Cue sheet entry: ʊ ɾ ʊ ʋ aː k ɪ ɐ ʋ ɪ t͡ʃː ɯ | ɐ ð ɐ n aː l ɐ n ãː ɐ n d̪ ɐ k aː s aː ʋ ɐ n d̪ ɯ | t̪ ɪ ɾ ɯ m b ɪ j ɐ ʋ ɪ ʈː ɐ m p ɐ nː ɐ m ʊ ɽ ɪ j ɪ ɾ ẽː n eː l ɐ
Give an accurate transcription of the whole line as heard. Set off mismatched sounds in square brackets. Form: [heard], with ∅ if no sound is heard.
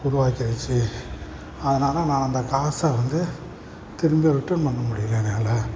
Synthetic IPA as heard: ʊ ɾ ʊ ʋ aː k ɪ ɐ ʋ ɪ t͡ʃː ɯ | ɐ ð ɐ n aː l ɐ n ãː ɐ n d̪ ɐ k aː s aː ʋ ɐ n d̪ ɯ | t̪ ɪ ɾ ɯ m b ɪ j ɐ ʋ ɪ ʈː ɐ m p ɐ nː ɐ m ʊ ɽ ɪ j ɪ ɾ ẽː n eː l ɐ